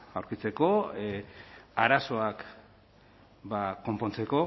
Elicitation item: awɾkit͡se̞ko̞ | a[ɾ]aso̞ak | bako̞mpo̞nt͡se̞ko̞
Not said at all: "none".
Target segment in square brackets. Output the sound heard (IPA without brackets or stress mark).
ɾ